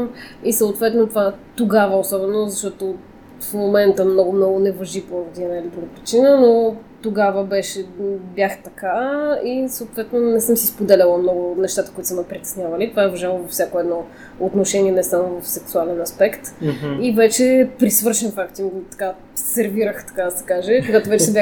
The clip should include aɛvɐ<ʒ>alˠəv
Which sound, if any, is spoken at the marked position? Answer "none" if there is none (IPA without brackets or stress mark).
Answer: ʒ